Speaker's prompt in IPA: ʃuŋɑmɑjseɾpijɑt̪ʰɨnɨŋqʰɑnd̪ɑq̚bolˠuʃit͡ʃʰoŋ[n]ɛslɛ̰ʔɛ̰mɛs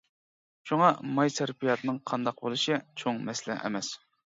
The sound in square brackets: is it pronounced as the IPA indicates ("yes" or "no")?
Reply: no